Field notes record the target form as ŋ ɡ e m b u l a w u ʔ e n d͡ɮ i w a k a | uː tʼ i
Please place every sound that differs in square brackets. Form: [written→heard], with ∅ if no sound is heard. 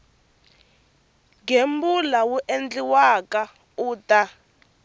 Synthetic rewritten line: ŋ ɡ e m b u l a w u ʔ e n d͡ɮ i w a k a | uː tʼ [i→a]